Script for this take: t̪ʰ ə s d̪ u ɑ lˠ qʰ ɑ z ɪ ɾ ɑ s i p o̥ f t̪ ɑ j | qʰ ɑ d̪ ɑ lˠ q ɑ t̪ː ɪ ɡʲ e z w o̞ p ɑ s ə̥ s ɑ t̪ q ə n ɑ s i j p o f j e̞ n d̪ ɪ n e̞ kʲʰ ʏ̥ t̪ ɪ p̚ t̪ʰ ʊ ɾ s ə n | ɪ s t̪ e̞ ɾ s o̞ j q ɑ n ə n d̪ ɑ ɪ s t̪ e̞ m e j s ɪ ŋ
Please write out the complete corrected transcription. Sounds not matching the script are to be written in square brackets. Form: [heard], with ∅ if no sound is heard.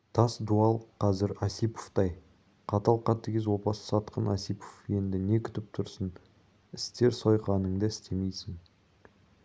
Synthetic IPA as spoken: t̪ʰ [ɑ] s d̪ u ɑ lˠ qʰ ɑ z ɪ ɾ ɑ s i p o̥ f t̪ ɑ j | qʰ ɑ [t̪] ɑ lˠ q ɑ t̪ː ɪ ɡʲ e z w o̞ p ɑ s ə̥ s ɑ t̪ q ə n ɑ s i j p o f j e̞ n d̪ ɪ n e̞ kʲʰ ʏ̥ t̪ ɪ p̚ t̪ʰ ʊ ɾ s ə n | ɪ s t̪ e̞ ɾ s o̞ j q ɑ n ə [ɴ] d̪ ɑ ɪ s t̪ e̞ m e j s ɪ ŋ

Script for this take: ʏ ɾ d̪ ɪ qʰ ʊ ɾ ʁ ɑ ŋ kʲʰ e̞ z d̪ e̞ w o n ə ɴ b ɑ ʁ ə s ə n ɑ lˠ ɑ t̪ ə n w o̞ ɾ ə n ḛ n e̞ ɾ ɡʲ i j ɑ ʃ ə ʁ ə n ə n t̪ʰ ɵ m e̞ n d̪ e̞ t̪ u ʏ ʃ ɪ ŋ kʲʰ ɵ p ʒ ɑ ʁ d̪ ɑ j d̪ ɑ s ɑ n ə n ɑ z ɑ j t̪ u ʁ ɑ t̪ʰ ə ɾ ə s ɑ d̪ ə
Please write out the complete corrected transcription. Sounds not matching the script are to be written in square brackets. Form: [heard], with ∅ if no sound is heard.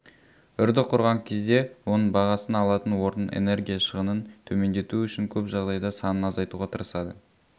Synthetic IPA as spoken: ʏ ɾ d̪ ɪ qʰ ʊ ɾ ʁ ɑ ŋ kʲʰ e̞ z d̪ e̞ w o n ə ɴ b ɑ ʁ [ɑ] s ə n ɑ lˠ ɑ t̪ ə n w o̞ ɾ ə n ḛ n e̞ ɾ ɡʲ i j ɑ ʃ ə ʁ ə n ə n t̪ʰ ɵ m e̞ n d̪ e̞ t̪ u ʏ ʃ ɪ ŋ kʲʰ ɵ p ʒ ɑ ʁ d̪ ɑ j d̪ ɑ s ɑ n ə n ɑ z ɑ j t̪ u ʁ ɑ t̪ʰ ə ɾ ə s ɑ d̪ ə

